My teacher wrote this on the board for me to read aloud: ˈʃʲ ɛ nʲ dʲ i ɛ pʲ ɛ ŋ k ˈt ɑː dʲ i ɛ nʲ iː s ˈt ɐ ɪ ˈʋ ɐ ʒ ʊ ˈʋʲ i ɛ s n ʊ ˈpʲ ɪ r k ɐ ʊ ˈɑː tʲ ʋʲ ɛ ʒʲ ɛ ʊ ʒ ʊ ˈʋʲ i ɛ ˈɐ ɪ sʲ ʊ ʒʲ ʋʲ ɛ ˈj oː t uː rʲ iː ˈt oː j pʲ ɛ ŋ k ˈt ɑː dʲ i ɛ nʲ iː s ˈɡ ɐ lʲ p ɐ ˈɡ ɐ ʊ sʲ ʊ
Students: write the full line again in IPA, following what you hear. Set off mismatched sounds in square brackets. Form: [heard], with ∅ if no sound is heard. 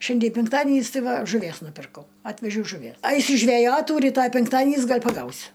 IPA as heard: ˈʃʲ ɛ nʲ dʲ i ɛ pʲ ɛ ŋ k ˈt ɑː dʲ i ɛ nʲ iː s ˈt ɐ ɪ ˈʋ ɐ ʒ ʊ ˈʋʲ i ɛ s n ʊ ˈpʲ ɪ r k ɐ ʊ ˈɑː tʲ ʋʲ ɛ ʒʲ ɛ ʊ ʒ ʊ ˈʋʲ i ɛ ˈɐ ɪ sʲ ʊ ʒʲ ʋʲ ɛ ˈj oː t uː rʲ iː ˈt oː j pʲ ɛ ŋ k ˈt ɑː dʲ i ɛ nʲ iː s ˈɡ ɐ lʲ p ɐ ˈɡ ɐ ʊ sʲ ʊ